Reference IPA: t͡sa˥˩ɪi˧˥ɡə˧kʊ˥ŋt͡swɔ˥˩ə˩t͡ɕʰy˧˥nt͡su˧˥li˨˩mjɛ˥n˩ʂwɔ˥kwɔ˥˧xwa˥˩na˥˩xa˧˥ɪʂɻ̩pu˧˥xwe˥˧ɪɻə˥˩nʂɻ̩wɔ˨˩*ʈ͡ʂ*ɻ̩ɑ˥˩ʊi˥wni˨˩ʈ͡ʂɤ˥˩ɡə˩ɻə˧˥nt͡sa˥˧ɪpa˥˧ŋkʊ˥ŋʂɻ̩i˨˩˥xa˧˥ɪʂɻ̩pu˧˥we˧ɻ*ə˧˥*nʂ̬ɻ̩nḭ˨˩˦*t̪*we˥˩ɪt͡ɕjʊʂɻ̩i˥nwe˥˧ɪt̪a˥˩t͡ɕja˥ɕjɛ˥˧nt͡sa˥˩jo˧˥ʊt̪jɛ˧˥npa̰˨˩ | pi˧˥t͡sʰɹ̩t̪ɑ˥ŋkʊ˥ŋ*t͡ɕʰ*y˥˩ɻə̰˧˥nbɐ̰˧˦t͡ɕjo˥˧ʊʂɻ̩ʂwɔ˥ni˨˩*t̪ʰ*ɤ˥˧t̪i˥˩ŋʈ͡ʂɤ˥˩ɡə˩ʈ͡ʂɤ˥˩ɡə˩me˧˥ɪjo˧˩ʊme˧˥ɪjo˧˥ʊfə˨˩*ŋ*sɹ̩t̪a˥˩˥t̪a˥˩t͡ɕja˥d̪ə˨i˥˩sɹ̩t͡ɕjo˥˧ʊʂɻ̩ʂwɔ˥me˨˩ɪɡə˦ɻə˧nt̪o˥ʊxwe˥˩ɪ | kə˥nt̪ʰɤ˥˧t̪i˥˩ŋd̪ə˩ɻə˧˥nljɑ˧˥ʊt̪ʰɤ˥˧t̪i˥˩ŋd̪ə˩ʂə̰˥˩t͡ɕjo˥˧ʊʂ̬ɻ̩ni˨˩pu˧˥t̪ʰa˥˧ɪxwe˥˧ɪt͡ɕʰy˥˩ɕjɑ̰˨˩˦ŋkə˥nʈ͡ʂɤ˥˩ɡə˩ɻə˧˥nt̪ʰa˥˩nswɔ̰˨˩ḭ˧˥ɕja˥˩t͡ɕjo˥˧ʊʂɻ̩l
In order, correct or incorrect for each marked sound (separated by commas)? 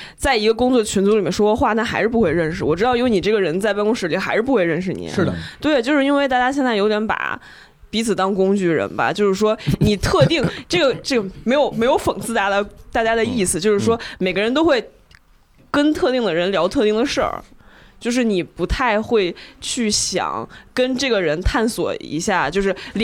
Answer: correct, incorrect, correct, incorrect, correct, correct